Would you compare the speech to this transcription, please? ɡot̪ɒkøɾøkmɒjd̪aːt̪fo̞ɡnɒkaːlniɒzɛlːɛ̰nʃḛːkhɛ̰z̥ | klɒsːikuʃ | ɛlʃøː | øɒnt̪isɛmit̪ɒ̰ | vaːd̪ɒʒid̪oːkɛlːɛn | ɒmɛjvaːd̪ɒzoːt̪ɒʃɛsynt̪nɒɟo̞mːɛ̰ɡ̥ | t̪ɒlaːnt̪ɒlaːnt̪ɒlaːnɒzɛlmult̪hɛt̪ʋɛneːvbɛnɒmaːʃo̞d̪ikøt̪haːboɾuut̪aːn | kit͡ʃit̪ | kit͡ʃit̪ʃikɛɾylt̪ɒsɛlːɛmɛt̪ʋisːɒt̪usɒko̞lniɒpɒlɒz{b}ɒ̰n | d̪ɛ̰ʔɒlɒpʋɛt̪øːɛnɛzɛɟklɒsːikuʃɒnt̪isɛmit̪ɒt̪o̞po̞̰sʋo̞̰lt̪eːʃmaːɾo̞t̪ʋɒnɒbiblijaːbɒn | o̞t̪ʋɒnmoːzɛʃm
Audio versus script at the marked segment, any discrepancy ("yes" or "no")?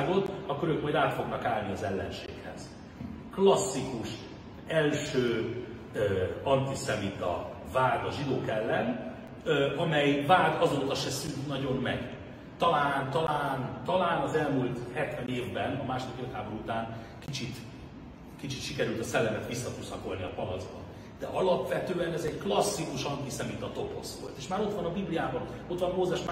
no